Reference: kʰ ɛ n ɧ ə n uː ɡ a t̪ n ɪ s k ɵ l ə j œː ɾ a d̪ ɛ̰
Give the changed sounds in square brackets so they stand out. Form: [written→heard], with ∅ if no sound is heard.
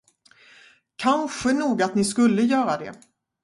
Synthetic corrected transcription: kʰ [ɛ→a] n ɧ ə n uː ɡ a t̪ n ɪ s k ɵ [l→lː] ə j œː ɾ a d̪ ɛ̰